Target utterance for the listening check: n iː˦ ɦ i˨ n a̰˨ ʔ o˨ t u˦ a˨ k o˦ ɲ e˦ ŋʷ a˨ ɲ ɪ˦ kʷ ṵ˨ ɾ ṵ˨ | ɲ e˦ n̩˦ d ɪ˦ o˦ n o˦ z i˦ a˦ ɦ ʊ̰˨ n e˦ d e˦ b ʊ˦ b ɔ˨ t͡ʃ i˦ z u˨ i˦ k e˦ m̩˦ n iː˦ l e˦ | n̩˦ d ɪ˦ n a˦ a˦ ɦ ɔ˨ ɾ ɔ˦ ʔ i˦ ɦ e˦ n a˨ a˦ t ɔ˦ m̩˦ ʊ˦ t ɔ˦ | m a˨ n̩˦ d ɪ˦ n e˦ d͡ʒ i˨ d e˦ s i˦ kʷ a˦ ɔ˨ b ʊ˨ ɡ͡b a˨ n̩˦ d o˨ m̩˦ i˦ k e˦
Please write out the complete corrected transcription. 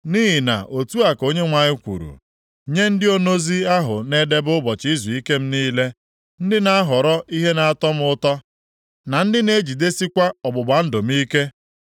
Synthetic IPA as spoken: n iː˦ ɦ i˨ n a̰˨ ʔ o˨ t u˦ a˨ k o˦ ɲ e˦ ŋʷ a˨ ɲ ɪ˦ kʷ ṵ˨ ɾ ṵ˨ | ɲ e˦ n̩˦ d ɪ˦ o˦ n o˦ z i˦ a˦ ɦ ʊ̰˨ n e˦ d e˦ b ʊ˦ b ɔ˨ t͡ʃ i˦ z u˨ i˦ k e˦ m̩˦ n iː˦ l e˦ | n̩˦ d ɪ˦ n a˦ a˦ ɦ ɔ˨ ɾ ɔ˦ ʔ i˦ ɦ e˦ n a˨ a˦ t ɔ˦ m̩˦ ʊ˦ t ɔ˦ | n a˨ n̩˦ d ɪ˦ n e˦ d͡ʒ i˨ d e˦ s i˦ kʷ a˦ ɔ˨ b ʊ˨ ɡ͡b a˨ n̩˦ d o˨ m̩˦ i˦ k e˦

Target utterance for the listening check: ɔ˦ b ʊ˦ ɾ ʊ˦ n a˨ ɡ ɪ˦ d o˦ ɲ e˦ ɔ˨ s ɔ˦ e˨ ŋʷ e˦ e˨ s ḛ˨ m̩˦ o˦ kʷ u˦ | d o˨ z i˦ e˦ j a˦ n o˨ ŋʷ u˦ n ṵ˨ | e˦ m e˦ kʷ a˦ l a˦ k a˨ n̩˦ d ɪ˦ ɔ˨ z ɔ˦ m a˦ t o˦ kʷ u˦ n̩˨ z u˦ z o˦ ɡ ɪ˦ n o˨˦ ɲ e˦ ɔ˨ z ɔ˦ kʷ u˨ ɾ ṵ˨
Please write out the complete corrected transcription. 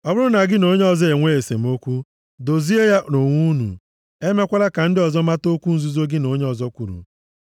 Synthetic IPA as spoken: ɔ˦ b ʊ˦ ɾ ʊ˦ n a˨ ɡ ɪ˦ n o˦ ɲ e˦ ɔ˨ z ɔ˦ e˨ ŋʷ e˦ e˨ s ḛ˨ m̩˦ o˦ kʷ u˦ | d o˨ z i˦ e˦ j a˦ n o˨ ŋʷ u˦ n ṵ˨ | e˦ m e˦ kʷ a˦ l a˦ k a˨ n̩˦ d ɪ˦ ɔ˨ z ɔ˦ m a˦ t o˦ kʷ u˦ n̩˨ z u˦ z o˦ ɡ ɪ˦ n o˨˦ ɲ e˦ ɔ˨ z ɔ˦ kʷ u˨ ɾ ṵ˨

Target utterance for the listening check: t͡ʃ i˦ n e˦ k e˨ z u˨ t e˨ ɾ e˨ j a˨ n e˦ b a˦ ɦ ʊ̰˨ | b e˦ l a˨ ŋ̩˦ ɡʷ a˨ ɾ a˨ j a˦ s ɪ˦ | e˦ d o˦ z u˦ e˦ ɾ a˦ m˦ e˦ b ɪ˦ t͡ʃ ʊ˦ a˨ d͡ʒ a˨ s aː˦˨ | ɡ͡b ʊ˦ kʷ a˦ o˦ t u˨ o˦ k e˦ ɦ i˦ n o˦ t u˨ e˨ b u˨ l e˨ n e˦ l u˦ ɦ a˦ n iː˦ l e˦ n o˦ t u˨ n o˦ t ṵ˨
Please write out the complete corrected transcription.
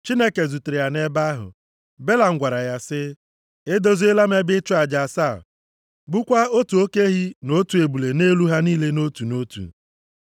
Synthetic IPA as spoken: t͡ʃ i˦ n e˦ k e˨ z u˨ t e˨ ɾ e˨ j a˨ n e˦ b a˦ ɦ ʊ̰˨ | b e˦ l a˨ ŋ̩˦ ɡʷ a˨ ɾ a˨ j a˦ s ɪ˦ | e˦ d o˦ z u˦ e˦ l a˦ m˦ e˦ b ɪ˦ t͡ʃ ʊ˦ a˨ d͡ʒ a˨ s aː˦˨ | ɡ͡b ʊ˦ kʷ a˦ o˦ t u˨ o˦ k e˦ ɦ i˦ n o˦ t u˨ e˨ b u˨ l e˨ n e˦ l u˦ ɦ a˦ n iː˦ l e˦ n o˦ t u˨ n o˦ t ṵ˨

